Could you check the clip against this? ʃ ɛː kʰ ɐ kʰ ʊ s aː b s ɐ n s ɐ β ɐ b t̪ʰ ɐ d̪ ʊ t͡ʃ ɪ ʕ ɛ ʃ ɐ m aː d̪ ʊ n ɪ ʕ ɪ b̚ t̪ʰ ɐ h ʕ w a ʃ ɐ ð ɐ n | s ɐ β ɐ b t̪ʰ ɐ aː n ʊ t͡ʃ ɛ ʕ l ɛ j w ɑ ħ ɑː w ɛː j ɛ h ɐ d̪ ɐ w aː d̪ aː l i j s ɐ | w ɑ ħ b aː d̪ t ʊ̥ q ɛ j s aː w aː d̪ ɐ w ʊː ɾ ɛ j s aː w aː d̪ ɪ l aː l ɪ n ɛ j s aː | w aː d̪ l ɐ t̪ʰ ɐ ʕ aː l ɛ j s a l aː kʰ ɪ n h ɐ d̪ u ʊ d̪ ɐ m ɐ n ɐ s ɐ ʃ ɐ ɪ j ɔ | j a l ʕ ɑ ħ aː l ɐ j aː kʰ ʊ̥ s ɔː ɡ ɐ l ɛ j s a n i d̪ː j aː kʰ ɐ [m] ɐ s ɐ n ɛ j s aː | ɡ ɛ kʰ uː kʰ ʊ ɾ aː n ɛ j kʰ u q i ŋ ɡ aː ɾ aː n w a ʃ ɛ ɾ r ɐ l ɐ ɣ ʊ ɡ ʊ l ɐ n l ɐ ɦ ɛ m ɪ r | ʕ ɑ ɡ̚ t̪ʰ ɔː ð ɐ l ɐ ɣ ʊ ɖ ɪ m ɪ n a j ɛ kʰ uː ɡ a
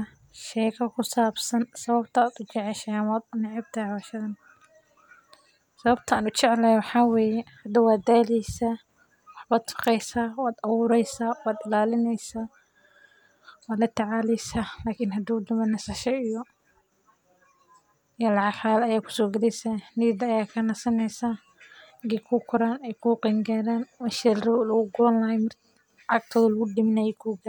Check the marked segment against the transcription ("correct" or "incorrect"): incorrect